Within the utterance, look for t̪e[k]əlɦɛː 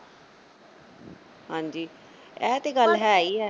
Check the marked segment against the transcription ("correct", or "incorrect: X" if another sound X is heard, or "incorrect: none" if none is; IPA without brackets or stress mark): incorrect: ɡ